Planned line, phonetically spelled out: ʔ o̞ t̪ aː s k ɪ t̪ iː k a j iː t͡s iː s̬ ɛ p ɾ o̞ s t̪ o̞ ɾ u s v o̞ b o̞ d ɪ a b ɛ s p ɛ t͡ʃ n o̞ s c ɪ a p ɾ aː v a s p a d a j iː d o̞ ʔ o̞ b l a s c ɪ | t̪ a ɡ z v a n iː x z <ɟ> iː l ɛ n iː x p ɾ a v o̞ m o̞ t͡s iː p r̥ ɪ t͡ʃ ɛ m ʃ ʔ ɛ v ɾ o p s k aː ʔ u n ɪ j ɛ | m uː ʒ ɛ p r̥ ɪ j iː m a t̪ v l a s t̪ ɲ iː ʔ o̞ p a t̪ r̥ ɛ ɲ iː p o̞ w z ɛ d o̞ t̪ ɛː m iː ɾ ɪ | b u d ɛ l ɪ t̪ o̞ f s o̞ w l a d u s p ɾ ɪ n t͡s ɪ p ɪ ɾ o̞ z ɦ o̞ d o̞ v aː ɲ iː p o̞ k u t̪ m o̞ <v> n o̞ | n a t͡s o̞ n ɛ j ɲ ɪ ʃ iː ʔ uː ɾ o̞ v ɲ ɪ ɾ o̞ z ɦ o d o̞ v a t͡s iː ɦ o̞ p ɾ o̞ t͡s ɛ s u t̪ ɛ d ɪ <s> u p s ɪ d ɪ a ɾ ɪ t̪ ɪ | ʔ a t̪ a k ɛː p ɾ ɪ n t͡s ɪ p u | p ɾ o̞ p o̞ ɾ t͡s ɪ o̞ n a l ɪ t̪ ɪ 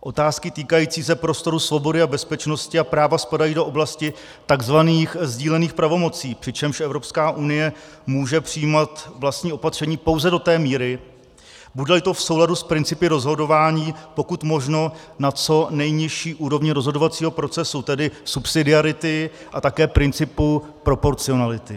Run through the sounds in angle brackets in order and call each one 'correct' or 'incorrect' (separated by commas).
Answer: correct, incorrect, correct